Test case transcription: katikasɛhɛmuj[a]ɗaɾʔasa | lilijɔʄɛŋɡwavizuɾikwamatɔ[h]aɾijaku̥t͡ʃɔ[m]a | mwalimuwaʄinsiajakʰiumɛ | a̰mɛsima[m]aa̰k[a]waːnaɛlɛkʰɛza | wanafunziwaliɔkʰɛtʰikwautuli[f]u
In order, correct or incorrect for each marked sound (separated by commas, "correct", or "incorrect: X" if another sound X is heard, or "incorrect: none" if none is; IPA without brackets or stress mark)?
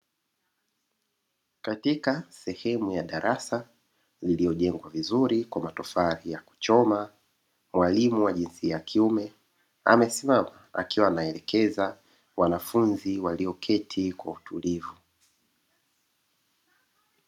correct, incorrect: f, correct, correct, incorrect: i, incorrect: v